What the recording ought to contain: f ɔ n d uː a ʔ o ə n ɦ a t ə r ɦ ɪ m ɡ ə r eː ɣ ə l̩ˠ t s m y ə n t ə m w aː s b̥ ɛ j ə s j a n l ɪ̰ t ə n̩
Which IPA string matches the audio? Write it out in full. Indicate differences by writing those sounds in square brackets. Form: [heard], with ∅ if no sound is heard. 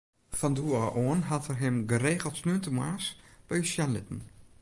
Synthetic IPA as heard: f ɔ n d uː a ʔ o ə n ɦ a t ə r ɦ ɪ m ɡ ə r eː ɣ ə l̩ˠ t s [n] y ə n t ə m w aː s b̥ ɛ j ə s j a n l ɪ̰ t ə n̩